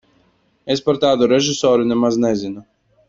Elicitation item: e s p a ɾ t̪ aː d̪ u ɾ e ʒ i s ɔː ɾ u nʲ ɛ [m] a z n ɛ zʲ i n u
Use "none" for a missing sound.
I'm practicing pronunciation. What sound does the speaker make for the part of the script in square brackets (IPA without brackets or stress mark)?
m